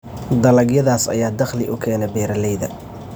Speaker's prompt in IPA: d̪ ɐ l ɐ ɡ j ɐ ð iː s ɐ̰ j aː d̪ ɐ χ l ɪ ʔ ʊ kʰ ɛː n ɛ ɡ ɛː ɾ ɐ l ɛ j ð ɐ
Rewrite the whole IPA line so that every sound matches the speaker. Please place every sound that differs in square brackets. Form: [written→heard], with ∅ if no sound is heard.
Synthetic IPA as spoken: d̪ ɐ l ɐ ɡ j ɐ ð [iː→aː] s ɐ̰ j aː d̪ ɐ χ l ɪ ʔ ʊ kʰ ɛː n ɛ [ɡ→b] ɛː ɾ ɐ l ɛ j ð ɐ